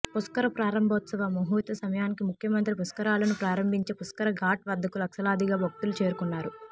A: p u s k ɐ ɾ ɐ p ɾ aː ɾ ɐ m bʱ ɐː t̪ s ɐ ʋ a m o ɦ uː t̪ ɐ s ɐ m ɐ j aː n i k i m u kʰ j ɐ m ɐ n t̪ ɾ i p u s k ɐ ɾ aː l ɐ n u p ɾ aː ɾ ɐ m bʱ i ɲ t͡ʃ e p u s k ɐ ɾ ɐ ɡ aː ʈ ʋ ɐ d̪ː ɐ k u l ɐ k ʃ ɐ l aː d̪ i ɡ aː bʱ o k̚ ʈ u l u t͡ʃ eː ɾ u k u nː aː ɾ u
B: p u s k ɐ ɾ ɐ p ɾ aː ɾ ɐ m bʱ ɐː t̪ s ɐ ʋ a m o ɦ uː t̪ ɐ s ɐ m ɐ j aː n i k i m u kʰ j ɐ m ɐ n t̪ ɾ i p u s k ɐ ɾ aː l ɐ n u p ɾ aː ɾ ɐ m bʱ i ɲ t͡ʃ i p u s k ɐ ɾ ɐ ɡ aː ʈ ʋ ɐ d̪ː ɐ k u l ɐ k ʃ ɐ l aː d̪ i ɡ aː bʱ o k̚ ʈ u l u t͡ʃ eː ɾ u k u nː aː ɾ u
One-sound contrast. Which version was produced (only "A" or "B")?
A